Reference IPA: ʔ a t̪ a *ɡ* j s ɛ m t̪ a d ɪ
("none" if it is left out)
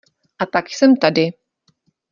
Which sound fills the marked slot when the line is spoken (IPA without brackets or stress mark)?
k